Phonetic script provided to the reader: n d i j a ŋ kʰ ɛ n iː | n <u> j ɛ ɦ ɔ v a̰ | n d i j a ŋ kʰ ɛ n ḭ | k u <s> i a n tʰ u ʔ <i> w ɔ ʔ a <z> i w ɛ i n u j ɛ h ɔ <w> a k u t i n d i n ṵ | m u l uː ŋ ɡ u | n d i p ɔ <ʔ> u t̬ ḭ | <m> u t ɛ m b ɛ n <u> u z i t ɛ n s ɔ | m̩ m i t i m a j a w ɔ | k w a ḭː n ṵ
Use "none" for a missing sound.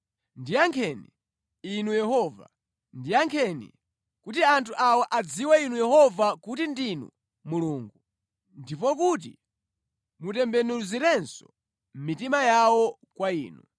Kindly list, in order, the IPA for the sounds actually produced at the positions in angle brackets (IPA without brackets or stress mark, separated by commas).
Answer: u, t, a, d͡z, v, k, m, u